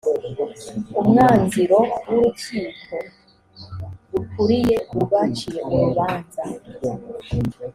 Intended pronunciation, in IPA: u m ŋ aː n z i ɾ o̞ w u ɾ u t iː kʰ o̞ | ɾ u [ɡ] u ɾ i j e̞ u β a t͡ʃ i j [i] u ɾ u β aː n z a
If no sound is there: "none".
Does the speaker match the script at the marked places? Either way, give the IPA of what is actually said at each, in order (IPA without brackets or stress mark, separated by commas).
k, e